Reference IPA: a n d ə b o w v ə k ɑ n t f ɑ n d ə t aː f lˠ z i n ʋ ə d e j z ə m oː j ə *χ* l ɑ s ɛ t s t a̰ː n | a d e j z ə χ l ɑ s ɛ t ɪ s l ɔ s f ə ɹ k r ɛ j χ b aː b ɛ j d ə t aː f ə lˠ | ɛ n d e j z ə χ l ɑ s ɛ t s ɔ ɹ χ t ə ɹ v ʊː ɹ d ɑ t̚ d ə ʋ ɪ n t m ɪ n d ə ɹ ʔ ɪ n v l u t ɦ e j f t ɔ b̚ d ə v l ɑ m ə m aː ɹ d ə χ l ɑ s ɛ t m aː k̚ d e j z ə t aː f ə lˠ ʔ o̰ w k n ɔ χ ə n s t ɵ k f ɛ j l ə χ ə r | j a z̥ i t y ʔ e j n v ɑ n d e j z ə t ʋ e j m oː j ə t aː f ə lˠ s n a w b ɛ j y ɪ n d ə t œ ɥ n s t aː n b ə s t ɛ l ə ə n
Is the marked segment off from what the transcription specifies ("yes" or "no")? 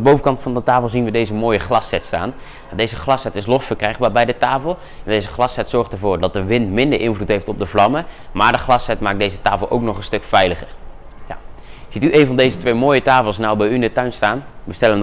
no